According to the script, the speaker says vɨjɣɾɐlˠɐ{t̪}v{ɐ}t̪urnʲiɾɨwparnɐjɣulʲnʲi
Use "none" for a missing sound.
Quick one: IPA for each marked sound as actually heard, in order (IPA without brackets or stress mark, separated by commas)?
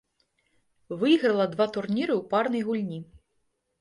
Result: d̪, a